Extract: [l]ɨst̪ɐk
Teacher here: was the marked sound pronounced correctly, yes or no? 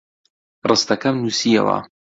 no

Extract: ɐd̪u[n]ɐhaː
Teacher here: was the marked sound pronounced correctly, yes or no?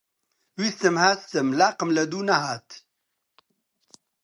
yes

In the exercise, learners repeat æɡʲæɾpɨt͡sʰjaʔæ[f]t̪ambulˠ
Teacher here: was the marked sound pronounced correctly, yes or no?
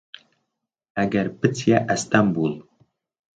no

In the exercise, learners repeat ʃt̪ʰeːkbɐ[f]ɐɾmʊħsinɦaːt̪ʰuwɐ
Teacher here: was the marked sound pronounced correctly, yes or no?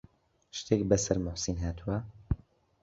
no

